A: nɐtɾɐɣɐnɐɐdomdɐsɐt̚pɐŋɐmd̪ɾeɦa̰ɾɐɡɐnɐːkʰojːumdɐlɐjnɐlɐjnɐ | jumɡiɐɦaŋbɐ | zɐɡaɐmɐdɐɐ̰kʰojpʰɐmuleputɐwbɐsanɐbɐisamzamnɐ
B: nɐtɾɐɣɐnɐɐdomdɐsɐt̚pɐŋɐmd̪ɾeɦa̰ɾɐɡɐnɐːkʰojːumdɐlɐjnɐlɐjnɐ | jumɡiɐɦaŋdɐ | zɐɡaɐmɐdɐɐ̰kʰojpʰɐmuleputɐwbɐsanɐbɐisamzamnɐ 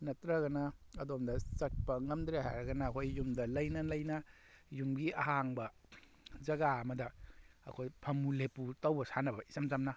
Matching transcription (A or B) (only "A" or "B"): A